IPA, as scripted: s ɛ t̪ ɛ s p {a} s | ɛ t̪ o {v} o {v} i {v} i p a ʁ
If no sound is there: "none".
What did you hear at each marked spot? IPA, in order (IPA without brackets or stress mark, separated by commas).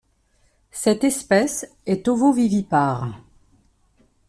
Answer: ɛ, v, v, v